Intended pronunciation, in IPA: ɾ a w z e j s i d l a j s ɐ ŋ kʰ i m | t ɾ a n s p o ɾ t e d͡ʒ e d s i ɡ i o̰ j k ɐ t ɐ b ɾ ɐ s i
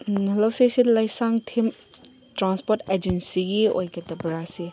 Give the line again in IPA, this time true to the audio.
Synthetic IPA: l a w s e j s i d l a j s a ŋ tʰ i m | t ɾ a n s p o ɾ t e d͡ʒ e n s i ɡ i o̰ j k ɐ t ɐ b ɾ a s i